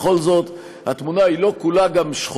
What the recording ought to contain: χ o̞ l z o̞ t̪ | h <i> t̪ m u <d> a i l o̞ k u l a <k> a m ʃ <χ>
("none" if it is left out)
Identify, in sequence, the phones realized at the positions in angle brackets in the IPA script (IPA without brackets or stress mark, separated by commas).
a, n, ɡ, χ